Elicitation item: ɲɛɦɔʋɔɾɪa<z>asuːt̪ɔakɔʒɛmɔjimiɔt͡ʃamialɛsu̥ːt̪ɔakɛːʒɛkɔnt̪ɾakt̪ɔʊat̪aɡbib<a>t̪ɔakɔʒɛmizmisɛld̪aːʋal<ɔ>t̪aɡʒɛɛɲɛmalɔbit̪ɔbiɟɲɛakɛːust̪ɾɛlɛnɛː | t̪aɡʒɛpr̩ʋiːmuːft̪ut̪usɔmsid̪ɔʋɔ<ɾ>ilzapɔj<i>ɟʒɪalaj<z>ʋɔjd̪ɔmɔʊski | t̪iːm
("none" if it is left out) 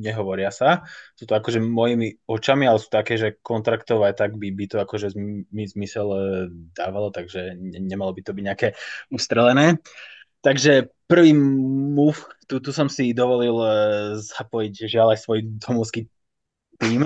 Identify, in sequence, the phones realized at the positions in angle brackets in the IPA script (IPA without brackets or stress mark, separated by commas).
s, i, ɔ, l, i, s